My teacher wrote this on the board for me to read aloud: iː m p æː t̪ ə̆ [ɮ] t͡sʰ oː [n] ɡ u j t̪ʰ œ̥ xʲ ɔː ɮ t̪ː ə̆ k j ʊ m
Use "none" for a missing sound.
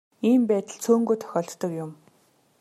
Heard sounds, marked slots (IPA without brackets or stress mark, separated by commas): ɮ, ŋ